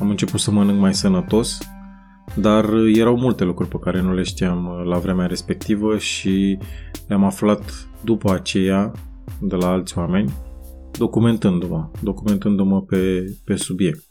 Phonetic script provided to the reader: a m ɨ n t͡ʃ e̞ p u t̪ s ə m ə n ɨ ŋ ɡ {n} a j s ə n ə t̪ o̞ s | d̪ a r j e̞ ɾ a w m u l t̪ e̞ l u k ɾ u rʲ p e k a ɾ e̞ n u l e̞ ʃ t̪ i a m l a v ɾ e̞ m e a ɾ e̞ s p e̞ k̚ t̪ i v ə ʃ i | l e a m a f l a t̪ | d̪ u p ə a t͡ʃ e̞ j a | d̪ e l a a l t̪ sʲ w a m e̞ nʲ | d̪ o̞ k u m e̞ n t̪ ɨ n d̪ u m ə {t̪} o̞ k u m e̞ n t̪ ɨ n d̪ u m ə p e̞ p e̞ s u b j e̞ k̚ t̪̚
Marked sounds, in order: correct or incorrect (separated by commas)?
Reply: incorrect, incorrect